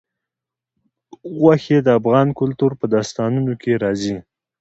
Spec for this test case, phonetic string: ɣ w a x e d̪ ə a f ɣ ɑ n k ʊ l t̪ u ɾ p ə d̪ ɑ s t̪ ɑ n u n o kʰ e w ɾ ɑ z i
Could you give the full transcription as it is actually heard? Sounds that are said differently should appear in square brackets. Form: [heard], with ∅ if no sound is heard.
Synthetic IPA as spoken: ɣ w a x e d̪ ə a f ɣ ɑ n k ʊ l t̪ u ɾ p ə d̪ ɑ s t̪ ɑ n u n o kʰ e [∅] ɾ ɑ z i

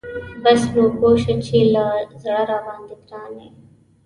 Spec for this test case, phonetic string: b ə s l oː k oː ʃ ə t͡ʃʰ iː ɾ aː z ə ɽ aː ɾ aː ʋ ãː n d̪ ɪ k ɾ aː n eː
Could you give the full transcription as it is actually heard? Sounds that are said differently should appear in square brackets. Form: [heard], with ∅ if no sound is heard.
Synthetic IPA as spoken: b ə s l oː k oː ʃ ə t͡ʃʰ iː [l] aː z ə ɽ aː ɾ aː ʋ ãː n d̪ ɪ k ɾ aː n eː

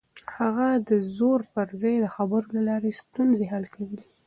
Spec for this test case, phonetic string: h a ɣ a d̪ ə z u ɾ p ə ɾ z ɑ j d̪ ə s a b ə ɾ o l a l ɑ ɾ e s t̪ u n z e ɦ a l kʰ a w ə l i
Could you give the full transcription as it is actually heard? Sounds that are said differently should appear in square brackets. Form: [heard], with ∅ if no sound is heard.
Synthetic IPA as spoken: h a ɣ a d̪ ə z [o] ɾ p ə ɾ z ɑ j d̪ ə [x] a b ə ɾ o l a l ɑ ɾ e s t̪ u n z e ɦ a l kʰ a w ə l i

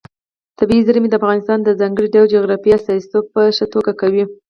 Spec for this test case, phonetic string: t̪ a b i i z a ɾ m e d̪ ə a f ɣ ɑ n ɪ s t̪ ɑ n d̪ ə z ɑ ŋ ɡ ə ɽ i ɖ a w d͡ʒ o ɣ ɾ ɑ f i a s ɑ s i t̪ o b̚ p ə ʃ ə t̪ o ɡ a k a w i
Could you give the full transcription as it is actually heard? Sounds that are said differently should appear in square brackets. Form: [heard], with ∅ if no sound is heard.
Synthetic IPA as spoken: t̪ a b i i z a ɾ m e d̪ ə a f ɣ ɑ n ɪ s t̪ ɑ n d̪ ə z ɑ ŋ ɡ ə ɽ i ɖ a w d͡ʒ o ɣ ɾ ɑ f i a s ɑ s i t̪ o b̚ p ə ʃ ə t̪ o ɡ a k a w i

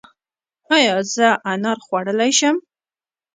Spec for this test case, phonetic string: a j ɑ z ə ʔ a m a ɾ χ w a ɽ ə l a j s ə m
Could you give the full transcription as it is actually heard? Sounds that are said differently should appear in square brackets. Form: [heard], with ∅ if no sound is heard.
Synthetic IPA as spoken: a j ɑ z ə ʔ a [n] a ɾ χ w a ɽ ə l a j [ʃ] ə m

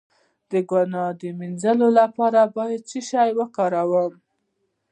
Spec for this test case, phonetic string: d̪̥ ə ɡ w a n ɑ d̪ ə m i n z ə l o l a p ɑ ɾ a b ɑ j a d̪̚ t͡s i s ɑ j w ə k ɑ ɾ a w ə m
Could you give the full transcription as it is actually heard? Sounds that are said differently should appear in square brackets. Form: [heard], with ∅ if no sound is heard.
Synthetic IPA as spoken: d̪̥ ə ɡ w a n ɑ d̪ ə m i n z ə l o l a p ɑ ɾ a b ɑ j a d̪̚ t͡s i [ʃ] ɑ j w ə k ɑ ɾ a w ə m

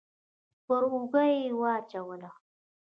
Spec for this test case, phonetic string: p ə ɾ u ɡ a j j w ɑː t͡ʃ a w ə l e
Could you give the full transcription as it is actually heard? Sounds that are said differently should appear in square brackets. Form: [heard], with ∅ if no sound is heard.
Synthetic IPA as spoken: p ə ɾ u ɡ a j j w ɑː t͡ʃ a w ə l [a]

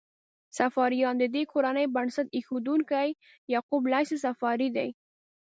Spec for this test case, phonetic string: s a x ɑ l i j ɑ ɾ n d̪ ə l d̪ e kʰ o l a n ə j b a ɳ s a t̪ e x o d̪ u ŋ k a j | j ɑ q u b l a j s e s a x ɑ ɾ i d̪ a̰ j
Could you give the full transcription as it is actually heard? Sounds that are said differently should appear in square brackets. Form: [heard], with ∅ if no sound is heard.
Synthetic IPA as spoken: s a [f] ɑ [ɾ] i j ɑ [∅] n d̪ ə [∅] d̪ e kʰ o [ɾ] a n ə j b a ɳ s a t̪ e x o d̪ u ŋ k a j | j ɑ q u b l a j s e s a [f] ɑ ɾ i d̪ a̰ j

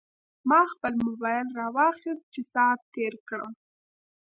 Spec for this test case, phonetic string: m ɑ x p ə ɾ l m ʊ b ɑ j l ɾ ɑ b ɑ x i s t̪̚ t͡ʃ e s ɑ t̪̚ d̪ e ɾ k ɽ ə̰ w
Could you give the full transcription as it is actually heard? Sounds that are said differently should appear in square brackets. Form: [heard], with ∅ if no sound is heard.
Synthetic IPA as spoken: m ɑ x p ə [∅] l m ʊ b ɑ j l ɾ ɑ [w] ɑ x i s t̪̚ t͡ʃ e s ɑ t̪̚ [t̪] e ɾ k ɽ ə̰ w

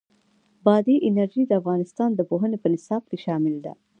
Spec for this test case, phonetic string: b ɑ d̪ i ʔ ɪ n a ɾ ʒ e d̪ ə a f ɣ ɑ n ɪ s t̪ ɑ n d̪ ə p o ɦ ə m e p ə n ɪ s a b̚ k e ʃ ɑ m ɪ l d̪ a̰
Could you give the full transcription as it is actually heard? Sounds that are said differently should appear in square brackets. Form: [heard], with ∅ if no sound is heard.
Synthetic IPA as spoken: b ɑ d̪ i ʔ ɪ n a ɾ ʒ [i] d̪ ə a f ɣ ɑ n ɪ s t̪ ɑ n d̪ ə p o ɦ ə [n] e p ə n ɪ s [ɑ] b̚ k e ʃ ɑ m ɪ l d̪ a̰

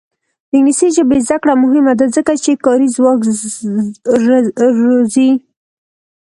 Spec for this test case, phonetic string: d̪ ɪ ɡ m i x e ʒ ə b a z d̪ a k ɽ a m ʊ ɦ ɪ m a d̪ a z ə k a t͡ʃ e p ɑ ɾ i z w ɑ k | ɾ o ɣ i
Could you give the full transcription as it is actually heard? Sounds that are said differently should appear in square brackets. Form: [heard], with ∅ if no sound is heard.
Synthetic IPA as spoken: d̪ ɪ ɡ [n] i [s] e ʒ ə b [e] z d̪ a k ɽ a m ʊ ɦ ɪ m a d̪ a z ə k a t͡ʃ e [k] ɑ ɾ i z w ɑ k | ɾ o [z] i

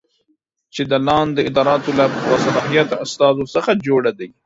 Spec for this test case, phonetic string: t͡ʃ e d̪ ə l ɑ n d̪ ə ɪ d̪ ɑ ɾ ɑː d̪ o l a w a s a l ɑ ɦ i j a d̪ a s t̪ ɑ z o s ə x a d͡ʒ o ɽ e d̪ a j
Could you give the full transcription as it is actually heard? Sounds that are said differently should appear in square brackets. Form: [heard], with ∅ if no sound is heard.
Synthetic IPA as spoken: t͡ʃ e d̪ ə l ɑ n d̪ ə ɪ d̪ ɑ ɾ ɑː [t̪] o l a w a s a l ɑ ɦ i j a [t̪] a s t̪ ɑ z o s ə x a d͡ʒ o ɽ [a] d̪ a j

